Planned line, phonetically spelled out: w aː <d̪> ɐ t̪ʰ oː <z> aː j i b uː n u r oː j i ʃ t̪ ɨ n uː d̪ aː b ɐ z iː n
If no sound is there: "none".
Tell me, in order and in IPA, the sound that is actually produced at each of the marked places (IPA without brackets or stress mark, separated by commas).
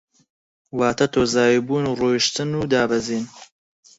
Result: t̪, z